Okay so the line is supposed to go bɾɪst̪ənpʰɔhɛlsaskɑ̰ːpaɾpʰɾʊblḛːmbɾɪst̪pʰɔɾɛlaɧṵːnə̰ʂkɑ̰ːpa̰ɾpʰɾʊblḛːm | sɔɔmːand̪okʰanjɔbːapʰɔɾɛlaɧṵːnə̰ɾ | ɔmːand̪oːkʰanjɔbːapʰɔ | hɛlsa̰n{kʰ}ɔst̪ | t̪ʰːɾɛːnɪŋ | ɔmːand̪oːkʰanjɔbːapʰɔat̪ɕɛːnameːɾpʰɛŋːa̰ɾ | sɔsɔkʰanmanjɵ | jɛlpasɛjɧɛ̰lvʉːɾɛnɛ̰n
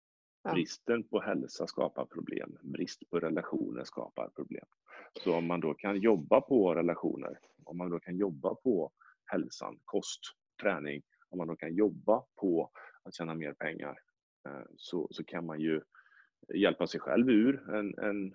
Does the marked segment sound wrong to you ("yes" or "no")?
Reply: no